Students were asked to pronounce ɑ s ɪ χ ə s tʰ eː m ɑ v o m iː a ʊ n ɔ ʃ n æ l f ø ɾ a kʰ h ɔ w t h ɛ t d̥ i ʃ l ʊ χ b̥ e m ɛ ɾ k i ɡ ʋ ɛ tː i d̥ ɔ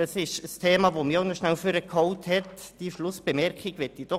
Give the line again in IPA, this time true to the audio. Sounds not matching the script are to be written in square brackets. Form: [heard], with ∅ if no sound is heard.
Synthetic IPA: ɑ s ɪ [ʃ] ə s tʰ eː m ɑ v o m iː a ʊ n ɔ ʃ n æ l f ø ɾ [ə] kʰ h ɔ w t h ɛ t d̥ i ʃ l ʊ [s] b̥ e m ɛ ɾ k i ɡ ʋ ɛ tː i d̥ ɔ